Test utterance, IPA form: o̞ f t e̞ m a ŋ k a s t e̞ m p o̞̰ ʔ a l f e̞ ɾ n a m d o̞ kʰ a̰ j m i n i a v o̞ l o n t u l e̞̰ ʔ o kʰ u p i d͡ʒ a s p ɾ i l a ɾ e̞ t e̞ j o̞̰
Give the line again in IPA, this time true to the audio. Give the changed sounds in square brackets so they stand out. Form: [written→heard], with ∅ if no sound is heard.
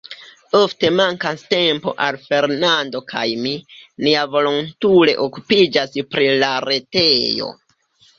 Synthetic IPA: o̞ f t e̞ m a ŋ k a s t e̞ m p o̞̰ ʔ a l f e̞ ɾ n a [m→n] d o̞ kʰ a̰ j m i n i a v o̞ l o n t u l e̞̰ ʔ o [kʰ→k] u p i d͡ʒ a s p ɾ i l a ɾ e̞ t e̞ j o̞̰